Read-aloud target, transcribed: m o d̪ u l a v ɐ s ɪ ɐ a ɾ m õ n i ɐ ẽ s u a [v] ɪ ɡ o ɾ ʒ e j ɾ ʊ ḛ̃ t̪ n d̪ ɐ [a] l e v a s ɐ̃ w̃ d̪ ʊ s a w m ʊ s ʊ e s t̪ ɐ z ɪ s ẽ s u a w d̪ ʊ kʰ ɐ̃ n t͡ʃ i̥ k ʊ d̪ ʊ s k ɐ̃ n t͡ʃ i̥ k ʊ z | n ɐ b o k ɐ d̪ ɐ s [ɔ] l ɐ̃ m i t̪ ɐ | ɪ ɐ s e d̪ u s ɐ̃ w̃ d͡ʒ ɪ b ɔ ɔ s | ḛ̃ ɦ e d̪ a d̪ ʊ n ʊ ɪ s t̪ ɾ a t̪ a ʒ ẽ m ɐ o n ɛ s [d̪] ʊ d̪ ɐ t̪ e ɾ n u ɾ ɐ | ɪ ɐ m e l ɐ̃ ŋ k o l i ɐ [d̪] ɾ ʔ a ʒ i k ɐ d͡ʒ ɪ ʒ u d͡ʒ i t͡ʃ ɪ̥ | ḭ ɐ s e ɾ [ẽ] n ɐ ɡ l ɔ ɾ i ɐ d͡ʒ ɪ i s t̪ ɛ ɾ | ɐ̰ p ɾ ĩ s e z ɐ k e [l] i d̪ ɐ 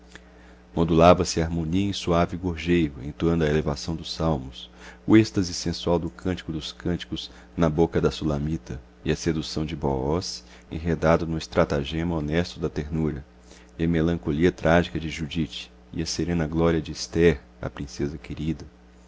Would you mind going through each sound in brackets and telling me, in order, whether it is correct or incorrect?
correct, incorrect, incorrect, incorrect, incorrect, correct, incorrect

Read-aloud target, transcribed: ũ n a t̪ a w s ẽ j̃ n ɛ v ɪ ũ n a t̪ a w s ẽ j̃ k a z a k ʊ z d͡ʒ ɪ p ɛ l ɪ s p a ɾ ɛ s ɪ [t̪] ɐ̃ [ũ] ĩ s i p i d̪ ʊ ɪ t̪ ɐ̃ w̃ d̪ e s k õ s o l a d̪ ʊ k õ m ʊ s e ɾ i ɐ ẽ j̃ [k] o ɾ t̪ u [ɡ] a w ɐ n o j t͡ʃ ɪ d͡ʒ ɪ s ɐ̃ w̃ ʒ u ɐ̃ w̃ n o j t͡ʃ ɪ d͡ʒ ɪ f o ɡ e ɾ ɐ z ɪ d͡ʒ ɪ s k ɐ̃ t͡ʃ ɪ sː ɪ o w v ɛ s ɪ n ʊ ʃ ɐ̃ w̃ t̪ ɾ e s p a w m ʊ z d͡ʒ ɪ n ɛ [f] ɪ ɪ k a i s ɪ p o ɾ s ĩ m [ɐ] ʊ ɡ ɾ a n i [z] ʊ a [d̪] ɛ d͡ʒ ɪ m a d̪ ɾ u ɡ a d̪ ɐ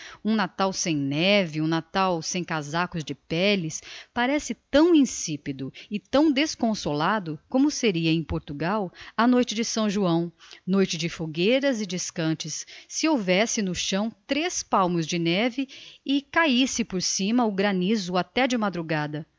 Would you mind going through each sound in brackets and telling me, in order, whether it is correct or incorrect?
correct, incorrect, incorrect, correct, incorrect, correct, correct, incorrect

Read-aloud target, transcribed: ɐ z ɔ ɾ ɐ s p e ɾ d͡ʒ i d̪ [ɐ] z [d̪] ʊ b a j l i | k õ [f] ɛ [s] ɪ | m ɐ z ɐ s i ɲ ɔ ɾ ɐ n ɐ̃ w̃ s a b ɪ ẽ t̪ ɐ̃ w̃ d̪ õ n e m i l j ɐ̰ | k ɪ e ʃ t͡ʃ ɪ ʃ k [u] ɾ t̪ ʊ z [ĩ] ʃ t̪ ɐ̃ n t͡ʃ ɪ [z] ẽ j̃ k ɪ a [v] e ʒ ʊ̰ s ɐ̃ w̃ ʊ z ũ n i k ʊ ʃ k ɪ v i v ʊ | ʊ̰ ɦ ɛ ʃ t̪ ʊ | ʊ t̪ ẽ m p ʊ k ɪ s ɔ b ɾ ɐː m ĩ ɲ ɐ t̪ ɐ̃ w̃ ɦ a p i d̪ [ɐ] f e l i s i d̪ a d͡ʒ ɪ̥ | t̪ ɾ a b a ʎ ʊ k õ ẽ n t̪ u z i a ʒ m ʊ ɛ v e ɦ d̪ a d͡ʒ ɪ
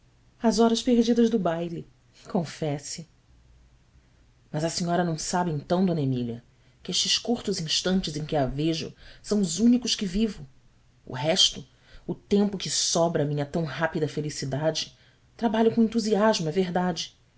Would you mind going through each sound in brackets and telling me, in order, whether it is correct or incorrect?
correct, correct, correct, correct, correct, correct, correct, correct, correct

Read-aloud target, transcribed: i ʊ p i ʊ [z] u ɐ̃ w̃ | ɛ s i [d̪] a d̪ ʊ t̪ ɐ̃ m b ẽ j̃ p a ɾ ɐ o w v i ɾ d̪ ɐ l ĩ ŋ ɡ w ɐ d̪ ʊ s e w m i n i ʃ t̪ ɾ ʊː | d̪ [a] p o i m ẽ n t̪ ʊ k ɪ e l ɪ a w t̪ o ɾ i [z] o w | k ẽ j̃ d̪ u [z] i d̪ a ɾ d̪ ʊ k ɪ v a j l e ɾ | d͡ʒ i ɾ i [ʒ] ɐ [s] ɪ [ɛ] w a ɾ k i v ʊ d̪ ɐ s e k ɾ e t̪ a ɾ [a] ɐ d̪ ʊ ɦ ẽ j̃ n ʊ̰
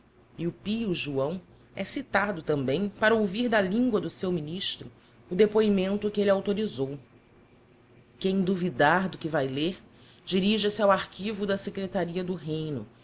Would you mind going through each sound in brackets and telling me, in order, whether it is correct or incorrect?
incorrect, incorrect, incorrect, correct, incorrect, correct, correct, incorrect, incorrect

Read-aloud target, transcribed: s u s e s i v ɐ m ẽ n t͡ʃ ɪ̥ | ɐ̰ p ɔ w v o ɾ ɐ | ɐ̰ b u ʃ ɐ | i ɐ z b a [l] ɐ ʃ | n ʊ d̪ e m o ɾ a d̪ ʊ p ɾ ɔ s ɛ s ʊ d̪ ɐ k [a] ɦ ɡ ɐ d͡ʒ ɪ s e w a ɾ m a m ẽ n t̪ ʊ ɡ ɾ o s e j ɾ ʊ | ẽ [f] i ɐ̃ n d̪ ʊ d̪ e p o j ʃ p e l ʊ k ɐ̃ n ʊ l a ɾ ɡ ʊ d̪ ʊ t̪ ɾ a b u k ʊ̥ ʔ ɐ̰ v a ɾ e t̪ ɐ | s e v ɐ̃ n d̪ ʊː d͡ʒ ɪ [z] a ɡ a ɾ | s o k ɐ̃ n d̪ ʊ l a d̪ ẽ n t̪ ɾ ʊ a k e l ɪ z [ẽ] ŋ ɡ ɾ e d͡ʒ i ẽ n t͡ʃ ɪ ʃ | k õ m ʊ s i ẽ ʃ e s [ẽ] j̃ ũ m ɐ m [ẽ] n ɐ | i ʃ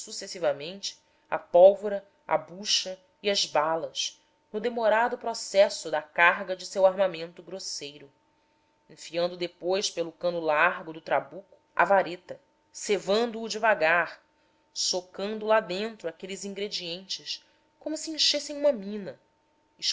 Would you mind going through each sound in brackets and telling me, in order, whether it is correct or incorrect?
correct, correct, correct, incorrect, incorrect, correct, incorrect

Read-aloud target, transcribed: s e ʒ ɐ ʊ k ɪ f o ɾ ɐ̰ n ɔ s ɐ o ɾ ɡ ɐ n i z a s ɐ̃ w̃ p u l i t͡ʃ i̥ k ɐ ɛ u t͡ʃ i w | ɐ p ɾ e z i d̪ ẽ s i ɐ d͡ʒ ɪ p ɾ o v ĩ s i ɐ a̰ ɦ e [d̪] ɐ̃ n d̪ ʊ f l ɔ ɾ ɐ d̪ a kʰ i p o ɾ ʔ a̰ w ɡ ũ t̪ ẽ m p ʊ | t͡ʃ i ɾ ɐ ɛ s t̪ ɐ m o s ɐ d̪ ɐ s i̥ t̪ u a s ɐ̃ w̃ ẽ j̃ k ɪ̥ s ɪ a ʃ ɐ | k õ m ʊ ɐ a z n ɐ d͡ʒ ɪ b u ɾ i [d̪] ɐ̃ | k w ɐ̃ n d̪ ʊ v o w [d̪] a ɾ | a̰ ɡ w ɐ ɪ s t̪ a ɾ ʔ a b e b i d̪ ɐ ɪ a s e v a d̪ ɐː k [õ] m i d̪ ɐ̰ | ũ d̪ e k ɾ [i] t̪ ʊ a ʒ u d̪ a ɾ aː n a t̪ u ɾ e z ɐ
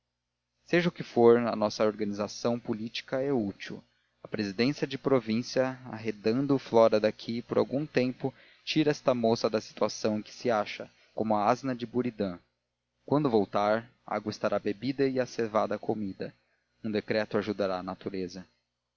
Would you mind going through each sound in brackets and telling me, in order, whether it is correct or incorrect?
correct, correct, incorrect, incorrect, incorrect

